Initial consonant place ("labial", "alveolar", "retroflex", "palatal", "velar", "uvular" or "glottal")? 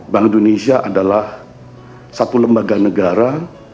labial